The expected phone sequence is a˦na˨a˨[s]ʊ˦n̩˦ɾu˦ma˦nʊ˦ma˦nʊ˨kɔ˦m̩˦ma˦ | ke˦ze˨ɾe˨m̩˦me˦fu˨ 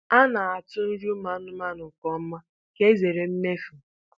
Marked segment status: incorrect: t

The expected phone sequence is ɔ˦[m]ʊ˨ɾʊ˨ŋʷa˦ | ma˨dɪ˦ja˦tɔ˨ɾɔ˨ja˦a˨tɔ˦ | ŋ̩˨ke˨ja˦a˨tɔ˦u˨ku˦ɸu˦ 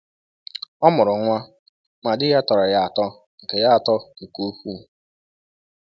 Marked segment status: correct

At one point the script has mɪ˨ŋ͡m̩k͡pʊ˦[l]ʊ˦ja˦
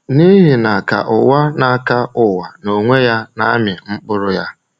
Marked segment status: incorrect: ɾ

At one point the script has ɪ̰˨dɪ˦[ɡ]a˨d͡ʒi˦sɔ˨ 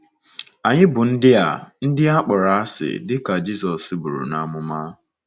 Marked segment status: incorrect: k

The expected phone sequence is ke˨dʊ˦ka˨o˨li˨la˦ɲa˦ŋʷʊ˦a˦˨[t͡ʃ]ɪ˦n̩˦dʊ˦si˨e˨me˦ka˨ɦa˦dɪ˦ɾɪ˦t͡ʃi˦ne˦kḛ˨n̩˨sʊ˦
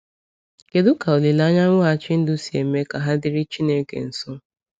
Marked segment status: correct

